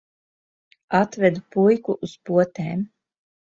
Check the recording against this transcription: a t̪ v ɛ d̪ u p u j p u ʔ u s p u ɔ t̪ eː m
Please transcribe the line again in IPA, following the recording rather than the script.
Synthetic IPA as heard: a t̪ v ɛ d̪ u p u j k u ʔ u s p u ɔ t̪ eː m

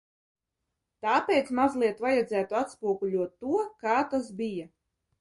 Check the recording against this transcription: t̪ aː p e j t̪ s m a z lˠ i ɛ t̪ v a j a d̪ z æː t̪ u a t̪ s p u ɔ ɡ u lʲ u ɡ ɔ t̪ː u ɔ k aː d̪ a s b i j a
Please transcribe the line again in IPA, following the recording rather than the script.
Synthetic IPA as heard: t̪ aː p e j t̪ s m a z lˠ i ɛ t̪ v a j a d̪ z æː t̪ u a t̪ s p u ɔ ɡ u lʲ u ɔ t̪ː u ɔ k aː t̪ a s b i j a

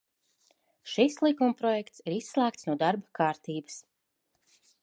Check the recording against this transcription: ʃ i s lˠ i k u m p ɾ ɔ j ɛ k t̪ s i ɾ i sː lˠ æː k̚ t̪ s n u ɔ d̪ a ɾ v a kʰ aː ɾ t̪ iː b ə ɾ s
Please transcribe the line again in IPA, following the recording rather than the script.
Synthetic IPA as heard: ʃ i s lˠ i k u m p ɾ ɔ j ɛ k t̪ s i ɾ i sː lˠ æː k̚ t̪ s n u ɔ d̪ a ɾ b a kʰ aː ɾ t̪ iː b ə s

